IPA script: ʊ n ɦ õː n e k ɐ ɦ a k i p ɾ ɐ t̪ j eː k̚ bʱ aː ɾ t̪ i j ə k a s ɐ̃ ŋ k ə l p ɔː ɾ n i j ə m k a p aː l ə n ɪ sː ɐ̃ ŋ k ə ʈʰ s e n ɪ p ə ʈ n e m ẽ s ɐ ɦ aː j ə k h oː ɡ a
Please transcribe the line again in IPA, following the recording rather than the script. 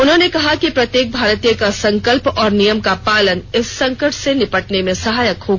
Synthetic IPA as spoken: ʊ n ɦ õː n e k ɐ ɦ a k i p ɾ ɐ t̪ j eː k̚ bʱ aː ɾ t̪ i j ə k a s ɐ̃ ŋ k ə l p ɔː ɾ n i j ə m k a p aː l ə n ɪ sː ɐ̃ ŋ k ə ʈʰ s e n ɪ p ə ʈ n e m ẽ s ɐ ɦ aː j ə k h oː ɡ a